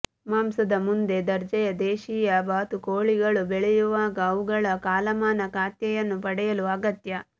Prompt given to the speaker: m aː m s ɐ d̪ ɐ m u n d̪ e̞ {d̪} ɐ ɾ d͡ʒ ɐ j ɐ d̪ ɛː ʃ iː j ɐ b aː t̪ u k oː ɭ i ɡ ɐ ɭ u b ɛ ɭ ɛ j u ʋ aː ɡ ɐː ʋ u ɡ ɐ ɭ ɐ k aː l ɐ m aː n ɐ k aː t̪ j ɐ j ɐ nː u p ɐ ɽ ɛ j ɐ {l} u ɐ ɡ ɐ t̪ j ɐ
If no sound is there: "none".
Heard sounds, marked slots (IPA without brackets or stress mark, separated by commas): d̪, l